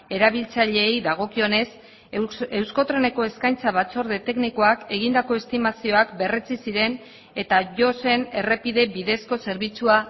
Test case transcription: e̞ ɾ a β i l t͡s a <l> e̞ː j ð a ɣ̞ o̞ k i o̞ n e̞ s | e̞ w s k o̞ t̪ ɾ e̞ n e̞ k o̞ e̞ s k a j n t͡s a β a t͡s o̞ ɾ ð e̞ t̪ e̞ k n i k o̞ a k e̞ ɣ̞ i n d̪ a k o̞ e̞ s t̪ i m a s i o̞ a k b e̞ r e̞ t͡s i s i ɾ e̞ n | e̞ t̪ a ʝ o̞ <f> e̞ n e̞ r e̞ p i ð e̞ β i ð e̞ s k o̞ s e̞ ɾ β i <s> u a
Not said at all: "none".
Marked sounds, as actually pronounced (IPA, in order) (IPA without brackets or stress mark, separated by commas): ʎ, s, t͡s